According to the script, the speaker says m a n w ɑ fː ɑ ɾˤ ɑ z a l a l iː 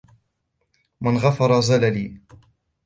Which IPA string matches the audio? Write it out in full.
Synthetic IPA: m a n ɣ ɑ f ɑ ɾˤ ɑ z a l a l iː